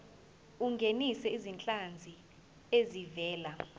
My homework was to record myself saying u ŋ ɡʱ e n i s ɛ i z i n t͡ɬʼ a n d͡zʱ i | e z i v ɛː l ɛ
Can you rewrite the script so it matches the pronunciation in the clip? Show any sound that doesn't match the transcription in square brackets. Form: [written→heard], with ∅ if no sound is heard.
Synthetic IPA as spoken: u ŋ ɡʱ e n i s ɛ i z i n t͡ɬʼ a n d͡zʱ i | e z i v ɛː l [ɛ→a]